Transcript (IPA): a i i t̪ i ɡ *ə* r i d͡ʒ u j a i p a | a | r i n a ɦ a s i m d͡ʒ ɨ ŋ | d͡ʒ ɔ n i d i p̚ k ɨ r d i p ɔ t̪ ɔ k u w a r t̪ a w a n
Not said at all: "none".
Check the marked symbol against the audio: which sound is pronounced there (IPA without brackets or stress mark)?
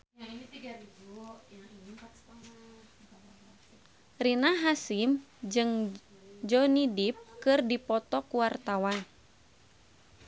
a